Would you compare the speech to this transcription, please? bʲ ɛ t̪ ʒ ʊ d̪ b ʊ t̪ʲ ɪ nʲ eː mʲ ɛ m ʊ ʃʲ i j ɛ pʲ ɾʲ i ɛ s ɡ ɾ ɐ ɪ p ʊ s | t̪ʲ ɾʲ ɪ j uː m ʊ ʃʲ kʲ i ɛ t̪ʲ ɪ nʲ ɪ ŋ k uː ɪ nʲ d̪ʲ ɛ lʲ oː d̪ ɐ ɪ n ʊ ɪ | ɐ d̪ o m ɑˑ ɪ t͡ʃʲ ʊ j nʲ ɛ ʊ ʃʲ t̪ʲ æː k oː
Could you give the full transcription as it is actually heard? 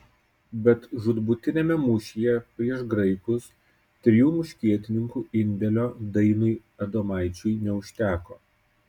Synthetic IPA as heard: bʲ ɛ t̪ ʒ ʊ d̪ b ʊ t̪ʲ ɪ nʲ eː mʲ ɛ m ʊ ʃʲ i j ɛ pʲ ɾʲ i ɛ ʃ ɡ ɾ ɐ ɪ k ʊ s | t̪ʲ ɾʲ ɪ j uː m ʊ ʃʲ kʲ i ɛ t̪ʲ ɪ nʲ ɪ ŋ k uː ɪ nʲ d̪ʲ ɛ lʲ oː d̪ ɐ ɪ n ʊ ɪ | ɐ d̪ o m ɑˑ ɪ t͡ʃʲ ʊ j nʲ ɛ ʊ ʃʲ t̪ʲ æː k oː

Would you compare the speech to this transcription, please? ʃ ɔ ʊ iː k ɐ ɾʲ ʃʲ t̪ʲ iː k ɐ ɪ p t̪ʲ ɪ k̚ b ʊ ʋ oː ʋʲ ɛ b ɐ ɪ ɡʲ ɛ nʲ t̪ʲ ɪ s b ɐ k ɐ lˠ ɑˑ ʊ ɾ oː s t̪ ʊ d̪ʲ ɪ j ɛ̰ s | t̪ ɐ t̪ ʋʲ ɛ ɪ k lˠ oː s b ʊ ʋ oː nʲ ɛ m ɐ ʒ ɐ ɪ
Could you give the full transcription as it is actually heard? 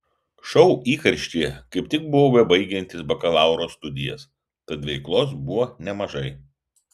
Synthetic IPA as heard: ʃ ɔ ʊ iː k ɐ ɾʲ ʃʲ t̪ʲ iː k ɐ ɪ p t̪ʲ ɪ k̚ b ʊ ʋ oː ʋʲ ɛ b ɐ ɪ ɡʲ ɛ nʲ t̪ʲ ɪ s b ɐ k ɐ lˠ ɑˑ ʊ ɾ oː s t̪ ʊ d̪ʲ ɪ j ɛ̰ s | t̪ ɐ t̪ ʋʲ ɛ ɪ k lˠ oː s b ʊ ʋ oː nʲ ɛ m ɐ ʒ ɐ ɪ

